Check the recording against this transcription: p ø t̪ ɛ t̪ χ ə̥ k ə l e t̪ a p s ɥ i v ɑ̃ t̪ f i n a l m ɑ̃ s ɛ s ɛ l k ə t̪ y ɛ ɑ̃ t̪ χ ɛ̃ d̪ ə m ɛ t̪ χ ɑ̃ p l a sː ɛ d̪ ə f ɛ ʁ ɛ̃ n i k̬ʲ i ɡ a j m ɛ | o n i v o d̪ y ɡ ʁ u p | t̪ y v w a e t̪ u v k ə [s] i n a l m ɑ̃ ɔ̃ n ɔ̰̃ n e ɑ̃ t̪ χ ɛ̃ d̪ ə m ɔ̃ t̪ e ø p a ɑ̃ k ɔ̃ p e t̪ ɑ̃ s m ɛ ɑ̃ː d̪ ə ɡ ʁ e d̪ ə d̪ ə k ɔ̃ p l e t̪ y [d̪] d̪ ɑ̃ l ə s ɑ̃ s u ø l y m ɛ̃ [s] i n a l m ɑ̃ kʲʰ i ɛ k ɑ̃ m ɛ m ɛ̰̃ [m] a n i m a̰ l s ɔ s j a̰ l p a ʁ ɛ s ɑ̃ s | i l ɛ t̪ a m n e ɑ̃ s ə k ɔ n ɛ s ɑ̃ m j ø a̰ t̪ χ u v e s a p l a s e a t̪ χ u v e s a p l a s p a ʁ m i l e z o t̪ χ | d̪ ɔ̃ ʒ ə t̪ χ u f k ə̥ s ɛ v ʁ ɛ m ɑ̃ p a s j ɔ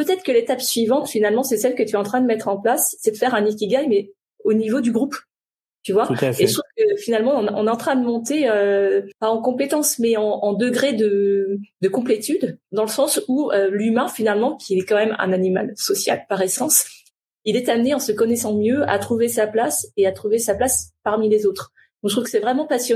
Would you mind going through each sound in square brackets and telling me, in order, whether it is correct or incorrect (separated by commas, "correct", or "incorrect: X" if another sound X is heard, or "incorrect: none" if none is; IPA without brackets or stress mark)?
incorrect: f, correct, incorrect: f, incorrect: n